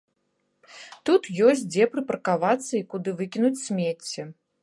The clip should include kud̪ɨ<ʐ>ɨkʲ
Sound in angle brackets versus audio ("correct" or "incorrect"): incorrect